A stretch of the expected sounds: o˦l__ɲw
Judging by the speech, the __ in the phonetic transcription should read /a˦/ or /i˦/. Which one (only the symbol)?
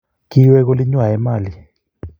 i˦